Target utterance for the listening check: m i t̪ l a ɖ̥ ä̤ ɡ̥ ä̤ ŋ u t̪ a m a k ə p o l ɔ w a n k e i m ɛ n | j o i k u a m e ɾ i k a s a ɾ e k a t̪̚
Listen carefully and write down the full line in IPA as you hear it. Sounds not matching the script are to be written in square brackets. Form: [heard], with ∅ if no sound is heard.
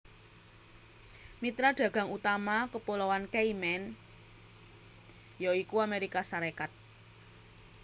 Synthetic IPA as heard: m i t̪ [ɾ] a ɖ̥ ä̤ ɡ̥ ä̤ ŋ u t̪ a m a k ə p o l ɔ w a n k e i m ɛ n | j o i k u a m e ɾ i k a s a ɾ e k a t̪̚